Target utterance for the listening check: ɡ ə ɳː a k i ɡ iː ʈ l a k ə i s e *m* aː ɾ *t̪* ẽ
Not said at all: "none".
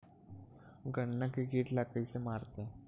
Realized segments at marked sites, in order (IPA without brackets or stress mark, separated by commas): m, t̪